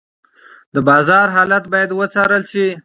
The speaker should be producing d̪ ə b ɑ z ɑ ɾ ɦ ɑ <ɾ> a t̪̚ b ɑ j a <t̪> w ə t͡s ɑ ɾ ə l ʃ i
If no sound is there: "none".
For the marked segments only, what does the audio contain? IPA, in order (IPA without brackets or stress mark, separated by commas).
l, d̪